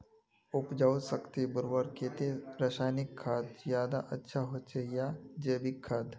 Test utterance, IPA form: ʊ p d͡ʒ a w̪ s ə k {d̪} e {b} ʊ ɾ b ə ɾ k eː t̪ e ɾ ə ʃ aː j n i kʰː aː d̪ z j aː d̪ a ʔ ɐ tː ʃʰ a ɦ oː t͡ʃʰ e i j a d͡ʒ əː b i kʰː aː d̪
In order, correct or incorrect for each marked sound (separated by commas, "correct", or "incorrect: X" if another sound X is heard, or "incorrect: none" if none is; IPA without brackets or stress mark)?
incorrect: t̪, correct